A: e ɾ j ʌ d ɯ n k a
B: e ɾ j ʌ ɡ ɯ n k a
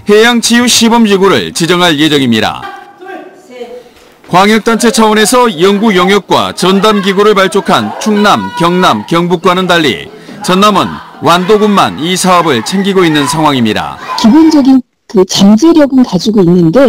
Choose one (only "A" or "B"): B